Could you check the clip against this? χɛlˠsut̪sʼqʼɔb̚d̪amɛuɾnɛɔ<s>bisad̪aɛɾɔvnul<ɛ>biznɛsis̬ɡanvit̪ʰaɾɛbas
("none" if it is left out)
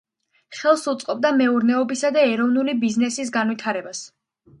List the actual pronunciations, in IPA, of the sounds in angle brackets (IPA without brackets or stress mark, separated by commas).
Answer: none, i